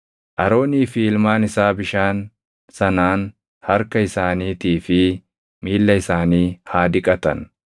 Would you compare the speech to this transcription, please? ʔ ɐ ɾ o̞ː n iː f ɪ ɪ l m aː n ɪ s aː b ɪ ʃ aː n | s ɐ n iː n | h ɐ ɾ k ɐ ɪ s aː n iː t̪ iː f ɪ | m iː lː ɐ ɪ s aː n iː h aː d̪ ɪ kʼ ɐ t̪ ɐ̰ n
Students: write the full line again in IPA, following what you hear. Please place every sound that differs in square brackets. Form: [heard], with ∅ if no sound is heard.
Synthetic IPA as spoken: ʔ ɐ ɾ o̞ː n iː f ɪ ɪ l m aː n ɪ s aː b ɪ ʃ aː n | s ɐ n [aː] n | h ɐ ɾ k ɐ ɪ s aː n iː t̪ iː f ɪ | m iː lː ɐ ɪ s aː n iː h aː d̪ ɪ kʼ ɐ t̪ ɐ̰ n